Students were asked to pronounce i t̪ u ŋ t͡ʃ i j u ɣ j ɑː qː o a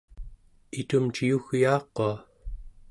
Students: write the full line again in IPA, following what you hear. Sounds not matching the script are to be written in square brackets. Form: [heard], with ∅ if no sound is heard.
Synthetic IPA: i t̪ u [m] t͡ʃ i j u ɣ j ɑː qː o a

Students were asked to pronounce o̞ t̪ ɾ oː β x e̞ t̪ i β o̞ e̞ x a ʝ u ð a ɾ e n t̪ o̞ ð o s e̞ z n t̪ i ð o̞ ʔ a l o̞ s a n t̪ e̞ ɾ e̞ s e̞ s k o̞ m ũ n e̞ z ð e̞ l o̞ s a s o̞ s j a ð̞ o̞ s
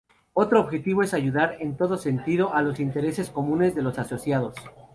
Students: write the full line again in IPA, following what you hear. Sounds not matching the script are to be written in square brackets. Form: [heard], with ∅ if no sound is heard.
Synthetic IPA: o̞ t̪ ɾ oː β x e̞ t̪ i β o̞ e̞ [s] a ʝ u ð a ɾ e n t̪ o̞ ð o s e̞ [∅] n t̪ i ð o̞ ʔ a l o̞ s [i] n t̪ e̞ ɾ e̞ s e̞ s k o̞ m ũ n e̞ z ð e̞ l o̞ s a s o̞ s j a ð̞ o̞ s

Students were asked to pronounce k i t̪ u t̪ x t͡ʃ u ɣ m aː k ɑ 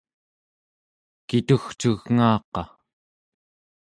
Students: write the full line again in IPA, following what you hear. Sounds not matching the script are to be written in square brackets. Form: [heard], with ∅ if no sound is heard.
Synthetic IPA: k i t̪ u [∅] x t͡ʃ u ɣ [ŋ] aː [q] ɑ

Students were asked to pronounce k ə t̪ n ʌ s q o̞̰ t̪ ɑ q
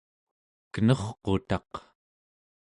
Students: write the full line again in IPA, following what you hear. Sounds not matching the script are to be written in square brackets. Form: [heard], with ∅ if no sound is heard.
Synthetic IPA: k ə [∅] n ʌ [χ] q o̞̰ t̪ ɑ q

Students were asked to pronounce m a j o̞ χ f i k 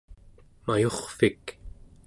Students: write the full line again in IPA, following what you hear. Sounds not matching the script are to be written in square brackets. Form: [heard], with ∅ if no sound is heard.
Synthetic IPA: m a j o̞ χ f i k

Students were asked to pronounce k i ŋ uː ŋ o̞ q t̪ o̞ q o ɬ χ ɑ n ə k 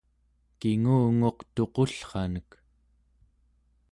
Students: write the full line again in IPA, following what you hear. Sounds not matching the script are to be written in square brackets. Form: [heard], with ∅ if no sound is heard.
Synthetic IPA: k i ŋ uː ŋ o̞ q t̪ o̞ q o ɬ χ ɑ n ə k

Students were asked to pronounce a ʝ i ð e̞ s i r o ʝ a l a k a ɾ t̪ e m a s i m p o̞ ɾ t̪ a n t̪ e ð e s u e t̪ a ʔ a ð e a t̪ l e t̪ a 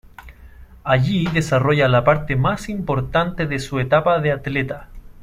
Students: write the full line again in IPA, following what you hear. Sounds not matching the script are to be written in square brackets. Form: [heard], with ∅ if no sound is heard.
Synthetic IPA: a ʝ i ð e̞ s [a] r o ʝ a l a [p] a ɾ t̪ e m a s i m p o̞ ɾ t̪ a n t̪ e ð e s u e t̪ a [p] a ð e a t̪ l e t̪ a

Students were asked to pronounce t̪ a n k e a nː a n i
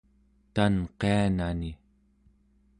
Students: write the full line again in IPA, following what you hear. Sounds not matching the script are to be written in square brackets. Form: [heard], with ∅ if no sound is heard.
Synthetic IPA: t̪ a n [q] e a [n] a n i

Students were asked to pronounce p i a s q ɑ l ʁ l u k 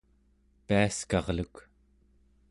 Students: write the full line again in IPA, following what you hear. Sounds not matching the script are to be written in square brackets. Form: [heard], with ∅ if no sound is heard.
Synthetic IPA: p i a s [k] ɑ [∅] ʁ l u k

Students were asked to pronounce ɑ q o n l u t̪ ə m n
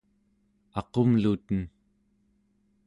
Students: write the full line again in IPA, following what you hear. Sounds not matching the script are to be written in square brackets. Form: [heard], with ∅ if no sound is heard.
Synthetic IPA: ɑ q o [m] l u t̪ ə [∅] n

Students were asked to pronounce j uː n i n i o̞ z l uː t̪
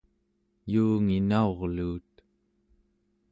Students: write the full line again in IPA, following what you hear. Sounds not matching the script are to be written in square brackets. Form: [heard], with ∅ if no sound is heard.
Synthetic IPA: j uː [ŋ] i n [a] o̞ [ʁ] l uː t̪

